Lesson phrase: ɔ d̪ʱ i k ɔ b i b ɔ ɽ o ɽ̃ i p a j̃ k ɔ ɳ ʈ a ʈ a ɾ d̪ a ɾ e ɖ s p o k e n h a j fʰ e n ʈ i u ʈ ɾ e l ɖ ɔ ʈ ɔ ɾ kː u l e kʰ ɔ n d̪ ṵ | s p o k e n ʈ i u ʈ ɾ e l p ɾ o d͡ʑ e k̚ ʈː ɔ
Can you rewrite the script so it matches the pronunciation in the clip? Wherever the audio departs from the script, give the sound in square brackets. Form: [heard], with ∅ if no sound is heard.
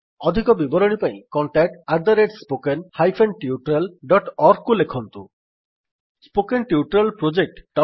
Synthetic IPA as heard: ɔ d̪ʱ i k ɔ b i b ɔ [ɾ] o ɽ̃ i p a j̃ k ɔ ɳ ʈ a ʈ a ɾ d̪ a ɾ e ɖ s p o k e n h a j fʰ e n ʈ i u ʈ ɾ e l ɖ ɔ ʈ ɔ ɾ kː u l e kʰ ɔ n [t̪] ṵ | s p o k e n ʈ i u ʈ ɾ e l p ɾ o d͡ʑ e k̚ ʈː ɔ